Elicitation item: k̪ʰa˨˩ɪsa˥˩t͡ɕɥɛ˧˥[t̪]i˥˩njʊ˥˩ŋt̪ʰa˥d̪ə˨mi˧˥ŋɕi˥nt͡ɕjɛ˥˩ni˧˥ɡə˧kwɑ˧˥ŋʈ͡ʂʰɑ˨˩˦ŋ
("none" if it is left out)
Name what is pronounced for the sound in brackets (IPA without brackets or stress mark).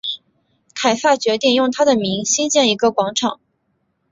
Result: t̪